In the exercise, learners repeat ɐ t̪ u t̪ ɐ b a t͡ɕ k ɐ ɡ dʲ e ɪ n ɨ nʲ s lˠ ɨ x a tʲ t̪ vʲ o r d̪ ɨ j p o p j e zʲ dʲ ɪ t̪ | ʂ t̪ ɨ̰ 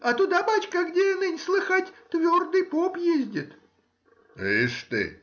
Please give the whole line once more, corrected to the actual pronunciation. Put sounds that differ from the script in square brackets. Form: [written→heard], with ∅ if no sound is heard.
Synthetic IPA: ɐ t̪ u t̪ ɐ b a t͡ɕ k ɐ ɡ dʲ e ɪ n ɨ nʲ s lˠ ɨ x a tʲ t̪ vʲ o r d̪ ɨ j p o p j e zʲ dʲ ɪ t̪ | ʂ t̪ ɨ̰